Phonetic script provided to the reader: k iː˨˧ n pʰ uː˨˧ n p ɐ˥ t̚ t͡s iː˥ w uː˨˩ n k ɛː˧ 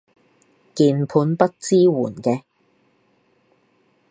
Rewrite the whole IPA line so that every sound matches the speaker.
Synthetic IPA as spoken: k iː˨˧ n pʰ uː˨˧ n p ɐ˥ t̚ t͡s iː˥ w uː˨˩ n k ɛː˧

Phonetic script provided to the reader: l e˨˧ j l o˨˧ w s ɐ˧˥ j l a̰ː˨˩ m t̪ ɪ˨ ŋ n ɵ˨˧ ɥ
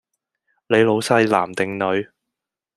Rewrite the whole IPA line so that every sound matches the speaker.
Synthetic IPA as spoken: l e˨˧ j l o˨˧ w s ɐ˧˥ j l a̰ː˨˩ m t̪ ɪ˨ ŋ n ɵ˨˧ ɥ

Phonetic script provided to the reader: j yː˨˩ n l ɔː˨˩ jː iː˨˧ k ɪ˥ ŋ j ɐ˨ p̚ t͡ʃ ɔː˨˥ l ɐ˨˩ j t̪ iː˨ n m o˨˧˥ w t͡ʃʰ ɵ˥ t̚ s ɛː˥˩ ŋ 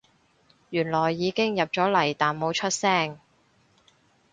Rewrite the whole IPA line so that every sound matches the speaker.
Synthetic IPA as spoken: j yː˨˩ n l ɔː˨˩ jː iː˨˧ k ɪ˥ ŋ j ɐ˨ p̚ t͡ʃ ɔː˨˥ l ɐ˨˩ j t̪ aː˨ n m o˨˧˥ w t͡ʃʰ ɵ˥ t̚ s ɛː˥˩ ŋ

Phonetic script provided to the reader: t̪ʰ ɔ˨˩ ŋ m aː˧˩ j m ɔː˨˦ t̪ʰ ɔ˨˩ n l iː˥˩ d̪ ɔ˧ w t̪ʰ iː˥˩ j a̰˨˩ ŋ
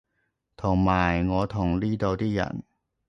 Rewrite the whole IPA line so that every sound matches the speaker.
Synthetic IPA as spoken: t̪ʰ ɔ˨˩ ŋ m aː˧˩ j ŋ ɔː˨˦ t̪ʰ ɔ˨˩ ŋ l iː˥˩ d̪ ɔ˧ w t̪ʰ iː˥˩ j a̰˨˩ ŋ

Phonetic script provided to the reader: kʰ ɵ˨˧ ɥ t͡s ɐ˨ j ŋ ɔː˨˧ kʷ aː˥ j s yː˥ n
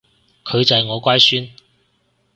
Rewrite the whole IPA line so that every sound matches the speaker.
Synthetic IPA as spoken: kʰ ɵ˨˧ ɥ t͡s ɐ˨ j ŋ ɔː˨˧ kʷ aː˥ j s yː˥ n

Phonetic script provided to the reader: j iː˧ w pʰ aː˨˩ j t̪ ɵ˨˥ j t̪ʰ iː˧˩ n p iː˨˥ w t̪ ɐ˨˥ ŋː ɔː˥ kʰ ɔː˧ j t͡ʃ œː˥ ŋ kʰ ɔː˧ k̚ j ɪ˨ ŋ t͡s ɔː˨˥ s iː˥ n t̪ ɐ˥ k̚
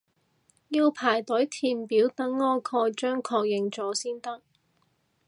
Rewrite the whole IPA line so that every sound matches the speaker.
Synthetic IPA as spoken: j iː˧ w pʰ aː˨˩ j t̪ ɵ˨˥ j t̪ʰ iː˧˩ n p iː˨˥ w t̪ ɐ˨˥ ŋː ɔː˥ kʰ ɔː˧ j t͡ʃ œː˥ ŋ kʰ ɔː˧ k̚ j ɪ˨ ŋ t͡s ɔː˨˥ s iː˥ n t̪ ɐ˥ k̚

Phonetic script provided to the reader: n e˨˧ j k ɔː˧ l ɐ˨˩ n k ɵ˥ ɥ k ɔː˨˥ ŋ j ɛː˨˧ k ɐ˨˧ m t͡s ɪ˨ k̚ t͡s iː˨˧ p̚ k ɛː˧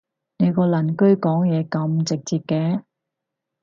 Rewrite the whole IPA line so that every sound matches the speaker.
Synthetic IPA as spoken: n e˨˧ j k ɔː˧ l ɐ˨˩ n k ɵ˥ ɥ k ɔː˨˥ ŋ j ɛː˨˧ k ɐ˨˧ m t͡s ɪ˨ k̚ t͡s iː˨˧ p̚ k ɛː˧

